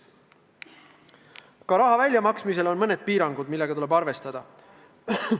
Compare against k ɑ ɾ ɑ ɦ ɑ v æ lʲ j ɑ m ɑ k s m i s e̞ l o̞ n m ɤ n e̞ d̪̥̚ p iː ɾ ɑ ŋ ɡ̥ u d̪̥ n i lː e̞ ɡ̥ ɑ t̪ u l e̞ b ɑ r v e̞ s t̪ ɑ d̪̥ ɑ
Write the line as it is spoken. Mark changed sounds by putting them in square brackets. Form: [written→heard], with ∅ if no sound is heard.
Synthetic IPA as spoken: k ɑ ɾ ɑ ɦ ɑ v æ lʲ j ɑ m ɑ k s m i s e̞ l o̞ n m ɤ n e̞ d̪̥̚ p iː ɾ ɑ ŋ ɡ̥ u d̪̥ [n→m] i lː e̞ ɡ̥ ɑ t̪ u l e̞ b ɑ r v e̞ s t̪ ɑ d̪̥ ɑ